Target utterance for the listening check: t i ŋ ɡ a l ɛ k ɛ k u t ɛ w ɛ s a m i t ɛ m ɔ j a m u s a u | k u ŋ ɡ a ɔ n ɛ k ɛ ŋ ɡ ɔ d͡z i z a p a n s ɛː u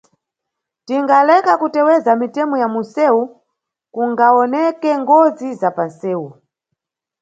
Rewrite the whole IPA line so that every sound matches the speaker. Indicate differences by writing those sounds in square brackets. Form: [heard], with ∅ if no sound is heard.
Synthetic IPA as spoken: t i ŋ ɡ a l ɛ k [a] k u t ɛ w ɛ [z] a m i t ɛ m ɔ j a m u s [ɛ] u | k u ŋ ɡ a ɔ n ɛ k ɛ ŋ ɡ ɔ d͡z i z a p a n s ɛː u